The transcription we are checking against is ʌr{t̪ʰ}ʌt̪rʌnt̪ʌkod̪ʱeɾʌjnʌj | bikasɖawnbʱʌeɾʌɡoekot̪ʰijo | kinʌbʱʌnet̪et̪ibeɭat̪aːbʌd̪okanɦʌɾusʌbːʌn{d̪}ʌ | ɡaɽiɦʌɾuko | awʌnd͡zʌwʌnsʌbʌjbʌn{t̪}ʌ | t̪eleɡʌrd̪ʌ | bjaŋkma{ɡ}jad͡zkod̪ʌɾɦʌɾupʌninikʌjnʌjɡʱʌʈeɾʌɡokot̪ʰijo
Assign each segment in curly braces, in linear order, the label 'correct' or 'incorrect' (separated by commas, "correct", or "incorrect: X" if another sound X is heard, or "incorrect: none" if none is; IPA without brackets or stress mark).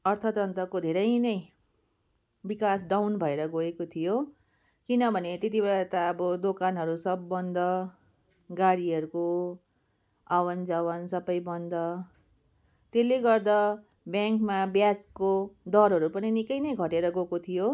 correct, correct, incorrect: d̪, incorrect: b